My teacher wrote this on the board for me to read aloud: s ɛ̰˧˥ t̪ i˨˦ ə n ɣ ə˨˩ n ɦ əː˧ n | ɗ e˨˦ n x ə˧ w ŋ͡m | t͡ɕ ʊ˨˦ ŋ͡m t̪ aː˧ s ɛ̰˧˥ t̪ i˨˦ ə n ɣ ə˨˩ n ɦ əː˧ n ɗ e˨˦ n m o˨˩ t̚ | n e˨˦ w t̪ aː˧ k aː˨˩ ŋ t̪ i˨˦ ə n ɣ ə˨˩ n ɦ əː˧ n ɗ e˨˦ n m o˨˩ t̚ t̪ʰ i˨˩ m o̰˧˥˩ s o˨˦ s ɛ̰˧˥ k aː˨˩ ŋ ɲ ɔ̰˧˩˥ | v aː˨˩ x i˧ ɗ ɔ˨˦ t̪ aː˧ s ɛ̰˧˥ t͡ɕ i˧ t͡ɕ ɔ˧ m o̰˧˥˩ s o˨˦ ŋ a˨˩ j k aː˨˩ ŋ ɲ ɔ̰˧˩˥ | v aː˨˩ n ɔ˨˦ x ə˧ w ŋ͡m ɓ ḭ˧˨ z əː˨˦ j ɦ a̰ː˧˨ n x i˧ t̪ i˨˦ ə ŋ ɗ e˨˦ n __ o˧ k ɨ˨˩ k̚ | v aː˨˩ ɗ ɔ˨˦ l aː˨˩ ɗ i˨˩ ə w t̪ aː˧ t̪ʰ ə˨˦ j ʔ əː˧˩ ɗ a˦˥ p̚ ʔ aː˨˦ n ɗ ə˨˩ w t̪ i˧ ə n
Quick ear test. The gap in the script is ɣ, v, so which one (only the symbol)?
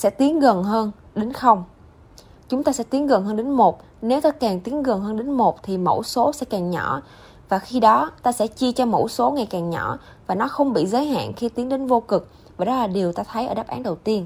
v